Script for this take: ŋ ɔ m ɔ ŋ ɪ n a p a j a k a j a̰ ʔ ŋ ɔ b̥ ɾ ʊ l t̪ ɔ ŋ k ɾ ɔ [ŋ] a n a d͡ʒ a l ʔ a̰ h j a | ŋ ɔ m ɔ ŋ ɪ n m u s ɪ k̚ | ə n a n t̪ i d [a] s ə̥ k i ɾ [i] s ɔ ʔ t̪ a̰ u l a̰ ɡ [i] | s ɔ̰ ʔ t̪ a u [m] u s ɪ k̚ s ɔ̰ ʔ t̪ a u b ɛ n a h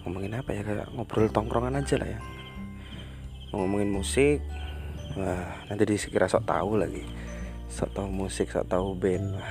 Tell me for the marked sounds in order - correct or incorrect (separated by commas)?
correct, incorrect, incorrect, correct, correct